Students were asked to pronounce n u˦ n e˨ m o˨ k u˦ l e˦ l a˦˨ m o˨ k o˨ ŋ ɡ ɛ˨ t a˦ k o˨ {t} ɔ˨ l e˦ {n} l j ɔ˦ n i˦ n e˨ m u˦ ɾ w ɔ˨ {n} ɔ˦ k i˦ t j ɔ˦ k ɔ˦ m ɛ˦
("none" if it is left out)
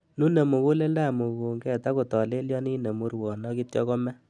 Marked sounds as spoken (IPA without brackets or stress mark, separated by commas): t, none, n